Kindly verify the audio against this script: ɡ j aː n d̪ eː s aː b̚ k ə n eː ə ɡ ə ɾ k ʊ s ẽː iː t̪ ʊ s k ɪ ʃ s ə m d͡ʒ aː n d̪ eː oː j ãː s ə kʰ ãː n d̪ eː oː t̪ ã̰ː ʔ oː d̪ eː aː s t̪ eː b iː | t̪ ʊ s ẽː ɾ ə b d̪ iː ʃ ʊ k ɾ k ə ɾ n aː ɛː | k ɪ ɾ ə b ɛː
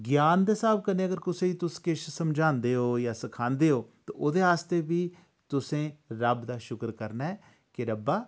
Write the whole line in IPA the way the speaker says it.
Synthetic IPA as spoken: ɡ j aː n d̪ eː s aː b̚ k ə n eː ə ɡ ə ɾ k ʊ s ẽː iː t̪ ʊ s k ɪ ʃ s ə m d͡ʒ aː n d̪ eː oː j aː s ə kʰ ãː n d̪ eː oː t̪ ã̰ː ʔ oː d̪ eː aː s t̪ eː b iː | t̪ ʊ s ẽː ɾ ə b d̪ aː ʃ ʊ k ɾ k ə ɾ n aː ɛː | k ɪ ɾ ə b aː